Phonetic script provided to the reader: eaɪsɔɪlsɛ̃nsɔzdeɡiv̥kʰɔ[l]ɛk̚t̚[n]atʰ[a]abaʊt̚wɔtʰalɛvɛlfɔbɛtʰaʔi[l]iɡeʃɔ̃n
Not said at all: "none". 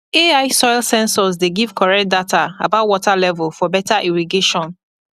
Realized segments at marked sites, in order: ɹ, d, a, ɹ

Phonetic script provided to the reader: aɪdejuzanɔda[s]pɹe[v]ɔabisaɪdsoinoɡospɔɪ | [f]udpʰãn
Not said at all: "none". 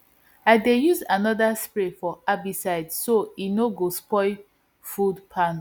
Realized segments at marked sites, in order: s, f, f

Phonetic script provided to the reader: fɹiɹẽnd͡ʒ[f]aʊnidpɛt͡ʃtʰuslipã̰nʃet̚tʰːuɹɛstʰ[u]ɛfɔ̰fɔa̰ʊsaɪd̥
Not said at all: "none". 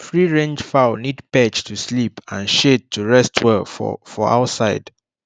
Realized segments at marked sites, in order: f, w

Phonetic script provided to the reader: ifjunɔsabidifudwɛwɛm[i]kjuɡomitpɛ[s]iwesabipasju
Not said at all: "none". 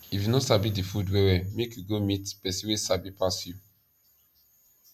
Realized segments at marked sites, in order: e, s

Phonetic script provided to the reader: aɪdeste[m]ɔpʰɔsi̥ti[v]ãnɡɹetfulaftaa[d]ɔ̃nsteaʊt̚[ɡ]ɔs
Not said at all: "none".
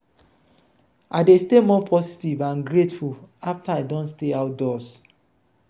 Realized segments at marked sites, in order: m, v, d, d

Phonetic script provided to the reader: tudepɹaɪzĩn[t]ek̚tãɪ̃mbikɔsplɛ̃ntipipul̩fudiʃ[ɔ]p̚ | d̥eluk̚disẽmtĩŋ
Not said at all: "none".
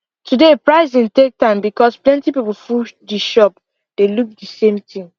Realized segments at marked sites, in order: t, ɔ

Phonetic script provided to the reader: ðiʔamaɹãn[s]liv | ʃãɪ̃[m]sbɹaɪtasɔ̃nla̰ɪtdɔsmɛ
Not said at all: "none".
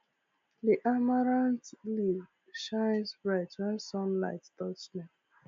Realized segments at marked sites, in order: t, n

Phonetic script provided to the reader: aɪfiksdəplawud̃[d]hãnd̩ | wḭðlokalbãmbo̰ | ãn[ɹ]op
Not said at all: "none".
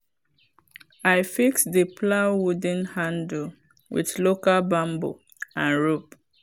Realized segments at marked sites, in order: n, ɹ

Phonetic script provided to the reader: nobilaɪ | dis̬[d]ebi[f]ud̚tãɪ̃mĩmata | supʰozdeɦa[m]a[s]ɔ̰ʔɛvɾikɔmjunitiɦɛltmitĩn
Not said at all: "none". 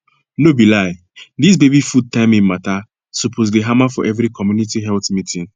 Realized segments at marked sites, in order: b, f, m, f

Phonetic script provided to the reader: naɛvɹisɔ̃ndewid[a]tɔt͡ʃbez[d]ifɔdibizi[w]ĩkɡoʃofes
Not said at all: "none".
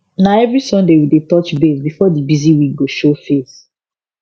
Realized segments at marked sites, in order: e, b, w

